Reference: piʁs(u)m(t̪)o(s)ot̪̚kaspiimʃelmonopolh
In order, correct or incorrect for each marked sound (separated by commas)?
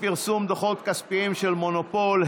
correct, incorrect, incorrect